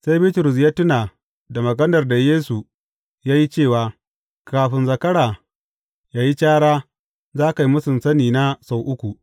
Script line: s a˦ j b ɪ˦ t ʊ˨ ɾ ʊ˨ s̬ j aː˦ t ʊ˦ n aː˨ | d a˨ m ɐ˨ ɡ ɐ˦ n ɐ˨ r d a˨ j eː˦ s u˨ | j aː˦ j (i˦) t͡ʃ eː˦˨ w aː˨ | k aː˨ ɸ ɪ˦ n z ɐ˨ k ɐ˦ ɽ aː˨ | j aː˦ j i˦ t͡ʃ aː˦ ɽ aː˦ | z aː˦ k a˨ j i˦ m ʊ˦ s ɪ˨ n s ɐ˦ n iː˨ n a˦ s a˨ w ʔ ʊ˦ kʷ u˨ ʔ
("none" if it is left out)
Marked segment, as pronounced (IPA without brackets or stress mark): i˦